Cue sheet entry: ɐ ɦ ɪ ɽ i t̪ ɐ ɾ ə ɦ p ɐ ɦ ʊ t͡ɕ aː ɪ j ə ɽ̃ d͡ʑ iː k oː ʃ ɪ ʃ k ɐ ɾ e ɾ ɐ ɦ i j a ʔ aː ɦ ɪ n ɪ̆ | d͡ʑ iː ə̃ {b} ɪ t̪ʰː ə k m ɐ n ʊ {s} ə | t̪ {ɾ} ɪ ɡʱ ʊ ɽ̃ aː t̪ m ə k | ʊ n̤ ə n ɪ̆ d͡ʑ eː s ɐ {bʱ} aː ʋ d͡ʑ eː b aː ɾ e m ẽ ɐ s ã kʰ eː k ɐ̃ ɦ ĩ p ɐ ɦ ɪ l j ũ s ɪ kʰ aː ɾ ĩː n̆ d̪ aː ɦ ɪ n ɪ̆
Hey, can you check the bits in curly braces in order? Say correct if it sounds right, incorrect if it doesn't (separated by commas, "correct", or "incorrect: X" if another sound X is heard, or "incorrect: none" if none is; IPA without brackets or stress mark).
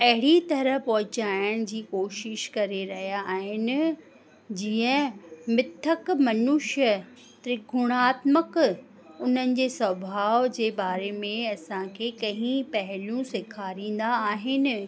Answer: incorrect: m, incorrect: ʃ, correct, correct